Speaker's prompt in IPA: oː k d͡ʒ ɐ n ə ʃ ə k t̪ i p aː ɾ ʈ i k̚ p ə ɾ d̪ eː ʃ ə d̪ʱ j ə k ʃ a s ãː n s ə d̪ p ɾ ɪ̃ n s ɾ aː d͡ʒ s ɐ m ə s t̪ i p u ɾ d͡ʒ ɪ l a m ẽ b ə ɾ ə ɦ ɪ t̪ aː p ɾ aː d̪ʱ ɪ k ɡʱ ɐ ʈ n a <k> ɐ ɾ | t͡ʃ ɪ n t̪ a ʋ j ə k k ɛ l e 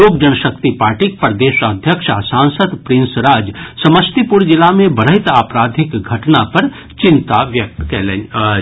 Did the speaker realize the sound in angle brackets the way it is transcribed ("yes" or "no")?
no